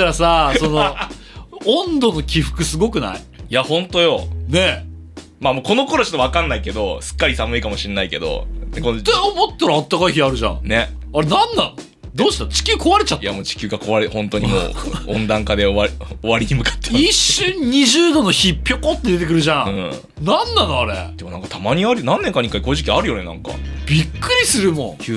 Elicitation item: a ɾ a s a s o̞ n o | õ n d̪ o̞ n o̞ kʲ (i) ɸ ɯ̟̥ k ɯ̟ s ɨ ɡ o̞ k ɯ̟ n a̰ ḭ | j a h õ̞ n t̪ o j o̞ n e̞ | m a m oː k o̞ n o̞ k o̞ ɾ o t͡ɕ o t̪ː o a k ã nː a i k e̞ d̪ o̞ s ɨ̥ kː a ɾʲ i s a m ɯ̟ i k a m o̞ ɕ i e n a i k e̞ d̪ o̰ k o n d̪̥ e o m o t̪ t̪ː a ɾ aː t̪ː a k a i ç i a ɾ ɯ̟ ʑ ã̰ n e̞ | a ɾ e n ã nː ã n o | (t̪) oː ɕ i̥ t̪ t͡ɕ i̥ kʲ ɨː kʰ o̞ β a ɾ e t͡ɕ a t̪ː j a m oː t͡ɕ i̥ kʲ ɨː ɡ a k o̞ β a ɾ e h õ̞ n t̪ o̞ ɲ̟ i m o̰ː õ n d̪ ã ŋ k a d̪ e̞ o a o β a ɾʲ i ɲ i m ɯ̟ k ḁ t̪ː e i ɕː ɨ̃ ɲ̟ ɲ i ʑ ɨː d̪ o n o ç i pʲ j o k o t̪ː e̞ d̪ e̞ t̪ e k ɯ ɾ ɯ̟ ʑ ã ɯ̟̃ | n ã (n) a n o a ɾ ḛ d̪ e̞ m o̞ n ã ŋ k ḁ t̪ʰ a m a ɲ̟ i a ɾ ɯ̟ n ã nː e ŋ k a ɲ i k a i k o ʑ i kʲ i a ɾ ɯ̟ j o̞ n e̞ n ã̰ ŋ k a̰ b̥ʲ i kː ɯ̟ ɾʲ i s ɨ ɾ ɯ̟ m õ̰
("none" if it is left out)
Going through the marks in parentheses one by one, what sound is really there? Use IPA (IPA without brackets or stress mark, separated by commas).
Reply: i, d̪, nː